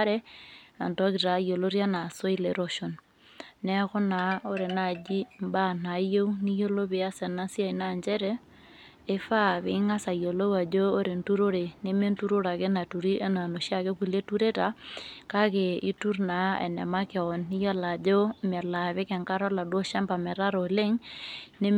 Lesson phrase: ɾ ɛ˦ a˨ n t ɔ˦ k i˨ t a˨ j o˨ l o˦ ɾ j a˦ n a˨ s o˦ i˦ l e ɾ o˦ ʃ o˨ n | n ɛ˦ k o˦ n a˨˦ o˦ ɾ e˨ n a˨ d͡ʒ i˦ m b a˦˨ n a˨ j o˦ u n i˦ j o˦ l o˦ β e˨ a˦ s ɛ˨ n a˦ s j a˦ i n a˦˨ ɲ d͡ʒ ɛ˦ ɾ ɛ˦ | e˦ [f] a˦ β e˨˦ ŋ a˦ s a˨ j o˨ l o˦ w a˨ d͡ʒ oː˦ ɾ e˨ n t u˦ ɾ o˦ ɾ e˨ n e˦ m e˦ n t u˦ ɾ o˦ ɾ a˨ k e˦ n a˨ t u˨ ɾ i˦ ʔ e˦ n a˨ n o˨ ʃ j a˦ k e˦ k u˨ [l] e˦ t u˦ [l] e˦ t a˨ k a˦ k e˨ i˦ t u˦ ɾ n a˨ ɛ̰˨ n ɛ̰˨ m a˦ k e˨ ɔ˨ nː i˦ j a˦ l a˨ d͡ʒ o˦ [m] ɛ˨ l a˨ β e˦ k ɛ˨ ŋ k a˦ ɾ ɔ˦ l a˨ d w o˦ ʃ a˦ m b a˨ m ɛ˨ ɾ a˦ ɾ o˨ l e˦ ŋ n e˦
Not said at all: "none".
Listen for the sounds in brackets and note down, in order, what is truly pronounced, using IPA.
f, l, ɾ, m

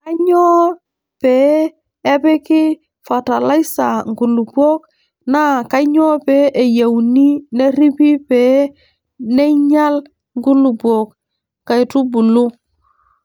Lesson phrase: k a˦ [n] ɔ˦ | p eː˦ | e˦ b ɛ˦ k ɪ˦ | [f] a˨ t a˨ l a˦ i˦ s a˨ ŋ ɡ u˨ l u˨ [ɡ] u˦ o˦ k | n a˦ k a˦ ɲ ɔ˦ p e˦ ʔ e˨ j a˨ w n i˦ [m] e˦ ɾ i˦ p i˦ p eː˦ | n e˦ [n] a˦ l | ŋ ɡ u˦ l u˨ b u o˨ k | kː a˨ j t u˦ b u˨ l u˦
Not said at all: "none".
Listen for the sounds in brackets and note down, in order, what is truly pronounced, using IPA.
ɲ, f, b, n, ɲ

